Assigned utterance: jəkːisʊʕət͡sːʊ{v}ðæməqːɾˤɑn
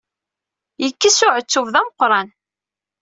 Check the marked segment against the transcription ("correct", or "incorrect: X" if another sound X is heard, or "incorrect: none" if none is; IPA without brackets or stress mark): correct